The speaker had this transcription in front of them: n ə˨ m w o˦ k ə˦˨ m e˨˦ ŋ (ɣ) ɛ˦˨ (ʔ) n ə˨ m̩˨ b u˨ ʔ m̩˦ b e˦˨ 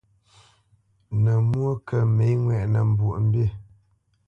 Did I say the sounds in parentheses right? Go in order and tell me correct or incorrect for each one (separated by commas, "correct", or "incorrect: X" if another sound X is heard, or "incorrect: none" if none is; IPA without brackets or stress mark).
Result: incorrect: w, correct